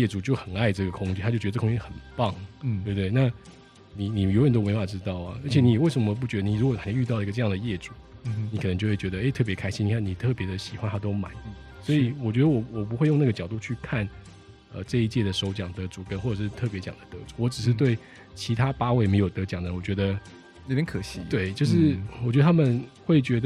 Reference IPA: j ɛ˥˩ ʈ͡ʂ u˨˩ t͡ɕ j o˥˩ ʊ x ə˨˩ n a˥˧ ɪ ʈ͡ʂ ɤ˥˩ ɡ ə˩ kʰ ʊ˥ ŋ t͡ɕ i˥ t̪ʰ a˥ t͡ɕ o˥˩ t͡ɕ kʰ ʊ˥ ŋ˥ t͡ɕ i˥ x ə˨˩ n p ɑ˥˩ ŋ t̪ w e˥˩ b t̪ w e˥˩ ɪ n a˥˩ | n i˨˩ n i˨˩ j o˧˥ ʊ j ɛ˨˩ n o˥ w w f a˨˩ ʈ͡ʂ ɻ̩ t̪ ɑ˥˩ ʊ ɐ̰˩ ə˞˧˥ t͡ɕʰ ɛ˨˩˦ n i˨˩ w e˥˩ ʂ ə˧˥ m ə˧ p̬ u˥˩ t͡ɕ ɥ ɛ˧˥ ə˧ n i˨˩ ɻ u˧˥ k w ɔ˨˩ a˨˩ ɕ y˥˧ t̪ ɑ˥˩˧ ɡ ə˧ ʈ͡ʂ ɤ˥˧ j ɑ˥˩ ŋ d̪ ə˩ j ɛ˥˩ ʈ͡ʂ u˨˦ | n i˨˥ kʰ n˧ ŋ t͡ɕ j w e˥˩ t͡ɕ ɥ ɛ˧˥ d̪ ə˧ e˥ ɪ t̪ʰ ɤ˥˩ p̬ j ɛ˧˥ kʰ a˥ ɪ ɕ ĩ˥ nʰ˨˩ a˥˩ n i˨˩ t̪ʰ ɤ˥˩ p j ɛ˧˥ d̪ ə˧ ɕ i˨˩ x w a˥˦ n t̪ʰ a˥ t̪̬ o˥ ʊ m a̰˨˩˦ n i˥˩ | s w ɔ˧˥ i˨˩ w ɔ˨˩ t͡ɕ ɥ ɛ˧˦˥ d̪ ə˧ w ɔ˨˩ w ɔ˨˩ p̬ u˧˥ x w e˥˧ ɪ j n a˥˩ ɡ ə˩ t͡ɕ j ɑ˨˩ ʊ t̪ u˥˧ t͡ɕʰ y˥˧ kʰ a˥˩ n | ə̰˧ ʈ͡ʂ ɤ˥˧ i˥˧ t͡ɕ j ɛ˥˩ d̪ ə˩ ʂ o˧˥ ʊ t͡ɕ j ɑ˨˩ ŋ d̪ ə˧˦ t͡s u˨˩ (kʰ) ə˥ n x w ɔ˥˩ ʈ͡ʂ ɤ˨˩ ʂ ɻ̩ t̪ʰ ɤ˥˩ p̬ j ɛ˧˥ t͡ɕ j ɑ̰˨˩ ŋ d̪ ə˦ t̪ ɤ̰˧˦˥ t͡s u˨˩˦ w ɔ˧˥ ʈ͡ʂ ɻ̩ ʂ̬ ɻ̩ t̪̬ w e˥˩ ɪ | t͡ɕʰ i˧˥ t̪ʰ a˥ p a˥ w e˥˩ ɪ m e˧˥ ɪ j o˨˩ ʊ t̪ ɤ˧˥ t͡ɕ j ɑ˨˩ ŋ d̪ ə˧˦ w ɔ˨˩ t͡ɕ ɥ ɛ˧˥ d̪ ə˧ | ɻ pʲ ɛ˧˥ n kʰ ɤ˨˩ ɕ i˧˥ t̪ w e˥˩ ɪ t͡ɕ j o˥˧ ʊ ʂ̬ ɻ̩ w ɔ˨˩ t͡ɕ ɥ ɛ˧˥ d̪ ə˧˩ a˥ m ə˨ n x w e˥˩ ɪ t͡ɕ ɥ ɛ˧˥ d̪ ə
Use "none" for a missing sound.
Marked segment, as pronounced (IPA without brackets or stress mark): k